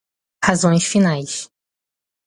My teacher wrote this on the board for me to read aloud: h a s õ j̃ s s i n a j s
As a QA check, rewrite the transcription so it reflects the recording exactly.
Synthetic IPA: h a z õ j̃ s f i n a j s